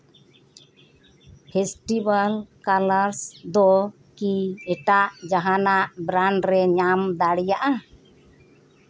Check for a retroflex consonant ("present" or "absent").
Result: present